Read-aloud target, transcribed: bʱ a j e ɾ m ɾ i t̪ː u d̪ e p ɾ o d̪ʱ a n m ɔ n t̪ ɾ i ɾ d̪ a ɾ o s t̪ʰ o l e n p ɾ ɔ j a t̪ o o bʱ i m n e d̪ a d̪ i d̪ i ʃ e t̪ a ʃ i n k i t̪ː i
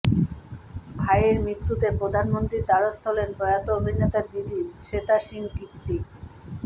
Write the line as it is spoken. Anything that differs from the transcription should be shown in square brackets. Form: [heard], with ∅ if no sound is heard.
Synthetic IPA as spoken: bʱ a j e ɾ m ɾ i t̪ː u [t̪] e p ɾ o d̪ʱ a n m [o] n t̪ ɾ i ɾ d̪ a ɾ o s t̪ʰ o l e n p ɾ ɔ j a t̪ o o bʱ i [∅] n e [t̪] a d̪ i d̪ i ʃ e t̪ a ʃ i [ŋ] k i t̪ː i